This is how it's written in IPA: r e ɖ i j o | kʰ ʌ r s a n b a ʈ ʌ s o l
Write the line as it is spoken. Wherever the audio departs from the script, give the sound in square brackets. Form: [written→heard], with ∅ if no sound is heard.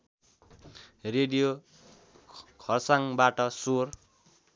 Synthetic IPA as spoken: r e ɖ i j o | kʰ ʌ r s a [n→ŋ] b a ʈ ʌ s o [l→r]